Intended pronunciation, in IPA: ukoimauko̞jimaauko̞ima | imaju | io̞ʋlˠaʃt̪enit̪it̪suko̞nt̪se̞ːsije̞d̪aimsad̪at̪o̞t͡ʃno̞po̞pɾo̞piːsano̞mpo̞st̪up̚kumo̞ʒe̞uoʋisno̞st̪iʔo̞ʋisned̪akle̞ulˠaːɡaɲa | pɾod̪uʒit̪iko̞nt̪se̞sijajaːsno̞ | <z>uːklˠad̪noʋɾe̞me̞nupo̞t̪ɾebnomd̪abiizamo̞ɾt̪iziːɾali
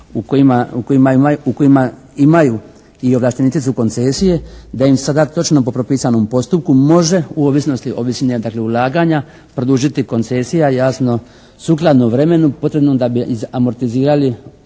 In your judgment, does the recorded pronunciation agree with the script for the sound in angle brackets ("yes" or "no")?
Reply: no